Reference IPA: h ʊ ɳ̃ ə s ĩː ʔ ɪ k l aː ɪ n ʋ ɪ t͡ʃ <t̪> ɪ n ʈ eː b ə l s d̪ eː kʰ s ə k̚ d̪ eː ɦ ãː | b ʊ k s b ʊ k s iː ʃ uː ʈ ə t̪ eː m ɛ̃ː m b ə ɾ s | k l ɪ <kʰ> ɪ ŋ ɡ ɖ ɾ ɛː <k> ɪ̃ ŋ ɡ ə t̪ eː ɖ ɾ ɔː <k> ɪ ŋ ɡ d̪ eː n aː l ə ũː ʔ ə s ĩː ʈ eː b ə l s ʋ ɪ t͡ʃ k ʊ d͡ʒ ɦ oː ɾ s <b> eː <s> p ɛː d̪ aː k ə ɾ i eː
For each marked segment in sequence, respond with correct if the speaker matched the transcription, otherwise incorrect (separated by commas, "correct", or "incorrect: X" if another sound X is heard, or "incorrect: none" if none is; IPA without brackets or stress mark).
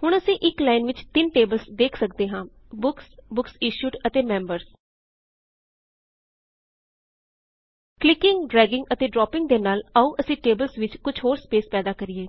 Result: correct, incorrect: k, incorrect: ɡ, incorrect: p, incorrect: p, correct